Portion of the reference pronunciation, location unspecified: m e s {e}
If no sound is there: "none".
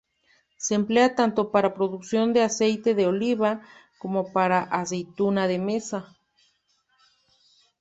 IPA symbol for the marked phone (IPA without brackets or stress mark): a